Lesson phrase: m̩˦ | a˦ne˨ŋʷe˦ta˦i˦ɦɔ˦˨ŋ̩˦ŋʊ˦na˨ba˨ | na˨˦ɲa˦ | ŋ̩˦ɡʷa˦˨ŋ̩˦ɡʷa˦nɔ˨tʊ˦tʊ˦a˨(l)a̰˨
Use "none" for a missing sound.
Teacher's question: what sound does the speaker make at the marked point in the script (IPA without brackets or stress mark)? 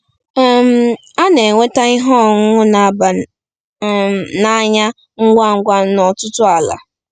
l